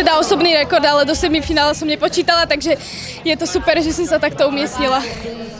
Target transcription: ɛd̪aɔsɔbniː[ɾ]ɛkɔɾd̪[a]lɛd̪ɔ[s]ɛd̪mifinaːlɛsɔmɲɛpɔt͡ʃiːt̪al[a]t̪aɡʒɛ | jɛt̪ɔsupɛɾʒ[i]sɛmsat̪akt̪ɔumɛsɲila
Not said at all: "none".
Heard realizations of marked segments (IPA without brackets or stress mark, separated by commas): ɾ, a, s, a, ɛ